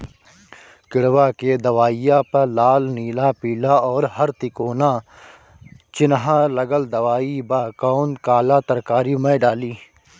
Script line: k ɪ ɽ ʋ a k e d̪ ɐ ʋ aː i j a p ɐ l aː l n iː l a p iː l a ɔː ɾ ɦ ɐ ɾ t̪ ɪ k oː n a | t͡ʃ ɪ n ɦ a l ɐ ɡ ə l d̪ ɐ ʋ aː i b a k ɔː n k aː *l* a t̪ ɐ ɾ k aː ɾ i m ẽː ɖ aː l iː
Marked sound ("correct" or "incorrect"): correct